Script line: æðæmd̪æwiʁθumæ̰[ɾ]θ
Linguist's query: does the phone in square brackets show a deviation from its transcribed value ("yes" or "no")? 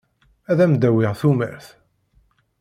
no